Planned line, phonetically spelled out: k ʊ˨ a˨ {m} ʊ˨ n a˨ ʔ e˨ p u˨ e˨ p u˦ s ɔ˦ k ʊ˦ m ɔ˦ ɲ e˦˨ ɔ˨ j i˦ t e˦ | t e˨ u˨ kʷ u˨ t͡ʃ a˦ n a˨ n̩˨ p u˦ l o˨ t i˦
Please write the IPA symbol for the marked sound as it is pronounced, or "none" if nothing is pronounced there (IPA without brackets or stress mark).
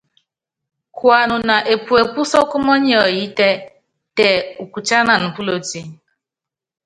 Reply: n